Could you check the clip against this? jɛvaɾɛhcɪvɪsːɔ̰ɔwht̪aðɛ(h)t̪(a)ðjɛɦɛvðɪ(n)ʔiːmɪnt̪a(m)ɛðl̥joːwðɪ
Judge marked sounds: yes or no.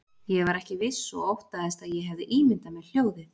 no, yes, no, yes

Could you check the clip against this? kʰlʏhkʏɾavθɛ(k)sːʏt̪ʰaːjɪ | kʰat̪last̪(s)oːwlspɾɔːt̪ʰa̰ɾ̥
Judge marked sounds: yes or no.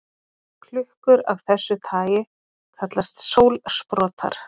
no, yes

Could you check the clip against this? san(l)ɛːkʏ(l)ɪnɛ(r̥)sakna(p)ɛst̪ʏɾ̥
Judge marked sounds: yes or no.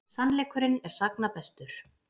yes, no, no, yes

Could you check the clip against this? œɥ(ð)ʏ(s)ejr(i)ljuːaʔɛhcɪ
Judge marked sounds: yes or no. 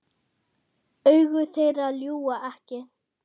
no, no, no

